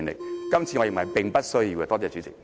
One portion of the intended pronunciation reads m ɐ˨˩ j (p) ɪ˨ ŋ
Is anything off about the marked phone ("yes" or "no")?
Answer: no